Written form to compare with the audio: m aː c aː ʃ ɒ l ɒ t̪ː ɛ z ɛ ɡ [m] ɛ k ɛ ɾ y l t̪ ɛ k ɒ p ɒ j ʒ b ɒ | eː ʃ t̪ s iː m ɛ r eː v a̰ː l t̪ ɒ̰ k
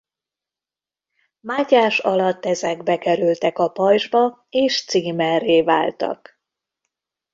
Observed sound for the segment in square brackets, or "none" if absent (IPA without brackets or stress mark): b